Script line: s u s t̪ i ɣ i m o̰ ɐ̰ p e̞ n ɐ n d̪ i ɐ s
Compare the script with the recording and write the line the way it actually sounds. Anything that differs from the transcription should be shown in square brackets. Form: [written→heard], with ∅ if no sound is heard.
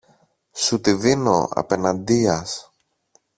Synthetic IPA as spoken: s u [s→∅] t̪ i [ɣ→ð] i [m→n] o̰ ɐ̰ p e̞ n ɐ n d̪ i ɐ s